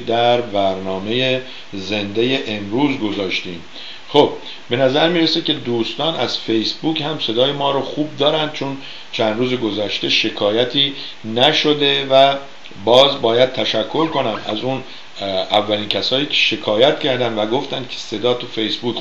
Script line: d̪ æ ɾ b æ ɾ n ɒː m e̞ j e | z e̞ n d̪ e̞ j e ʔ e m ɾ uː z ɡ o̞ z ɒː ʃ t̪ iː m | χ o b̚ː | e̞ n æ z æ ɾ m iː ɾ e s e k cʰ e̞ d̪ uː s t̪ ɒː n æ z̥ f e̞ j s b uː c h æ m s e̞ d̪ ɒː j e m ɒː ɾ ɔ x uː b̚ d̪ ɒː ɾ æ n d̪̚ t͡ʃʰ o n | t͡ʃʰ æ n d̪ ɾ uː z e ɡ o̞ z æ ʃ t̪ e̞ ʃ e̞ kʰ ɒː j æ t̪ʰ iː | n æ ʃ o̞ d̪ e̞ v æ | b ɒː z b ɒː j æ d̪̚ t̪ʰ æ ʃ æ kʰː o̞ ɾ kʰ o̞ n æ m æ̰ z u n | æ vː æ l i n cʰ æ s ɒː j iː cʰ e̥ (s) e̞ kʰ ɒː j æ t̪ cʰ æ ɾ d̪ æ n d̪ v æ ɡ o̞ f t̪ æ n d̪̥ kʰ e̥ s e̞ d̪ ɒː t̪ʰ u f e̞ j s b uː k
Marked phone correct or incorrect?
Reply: incorrect